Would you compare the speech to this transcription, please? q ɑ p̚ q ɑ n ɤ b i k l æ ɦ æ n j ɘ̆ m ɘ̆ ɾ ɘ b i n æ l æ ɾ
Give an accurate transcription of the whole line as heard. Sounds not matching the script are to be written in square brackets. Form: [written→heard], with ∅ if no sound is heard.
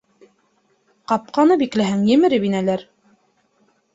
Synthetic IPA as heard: q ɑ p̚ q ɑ n ɤ b i k l æ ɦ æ [n→ŋ] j ɘ̆ m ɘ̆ ɾ ɘ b i n æ l æ ɾ